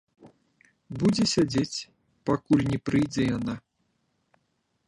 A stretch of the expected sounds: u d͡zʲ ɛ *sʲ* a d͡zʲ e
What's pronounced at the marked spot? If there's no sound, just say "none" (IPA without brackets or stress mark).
sʲ